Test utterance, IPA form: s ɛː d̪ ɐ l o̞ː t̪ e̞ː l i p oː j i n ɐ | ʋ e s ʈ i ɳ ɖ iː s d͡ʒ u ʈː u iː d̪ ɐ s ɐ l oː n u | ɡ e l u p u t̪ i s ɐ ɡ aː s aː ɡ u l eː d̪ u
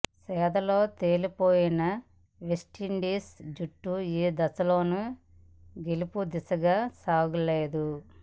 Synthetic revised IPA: s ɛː d̪ ɐ l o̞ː t̪ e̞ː l i p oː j i n ɐ | ʋ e s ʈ i ɳ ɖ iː s d͡ʒ u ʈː u iː d̪ ɐ s ɐ l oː n u | ɡ e l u p u d̪ i s ɐ ɡ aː s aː ɡ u l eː d̪ u